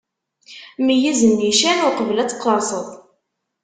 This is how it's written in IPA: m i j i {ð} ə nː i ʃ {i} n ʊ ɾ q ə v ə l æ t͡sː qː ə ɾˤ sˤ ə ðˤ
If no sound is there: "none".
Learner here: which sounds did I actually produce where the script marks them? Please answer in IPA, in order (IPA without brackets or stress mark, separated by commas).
z, æ